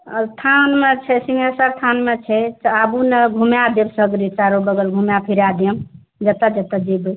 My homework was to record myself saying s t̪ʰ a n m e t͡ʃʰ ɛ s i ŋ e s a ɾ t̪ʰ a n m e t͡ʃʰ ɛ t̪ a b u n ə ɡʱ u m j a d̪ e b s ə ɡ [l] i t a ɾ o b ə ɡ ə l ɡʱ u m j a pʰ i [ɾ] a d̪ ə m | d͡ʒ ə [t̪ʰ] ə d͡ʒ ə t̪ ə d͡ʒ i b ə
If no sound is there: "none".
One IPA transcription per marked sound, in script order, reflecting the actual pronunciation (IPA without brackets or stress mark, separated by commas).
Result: ɾ, ɾ, t̪